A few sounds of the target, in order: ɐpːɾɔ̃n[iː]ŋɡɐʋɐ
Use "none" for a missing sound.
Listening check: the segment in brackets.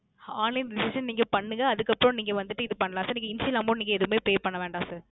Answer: iː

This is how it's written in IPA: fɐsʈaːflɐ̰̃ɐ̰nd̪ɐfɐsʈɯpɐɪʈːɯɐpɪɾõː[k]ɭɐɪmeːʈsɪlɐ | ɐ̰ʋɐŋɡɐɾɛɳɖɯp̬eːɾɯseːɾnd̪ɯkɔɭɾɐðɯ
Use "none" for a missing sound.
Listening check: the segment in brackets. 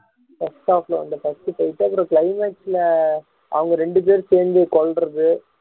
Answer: k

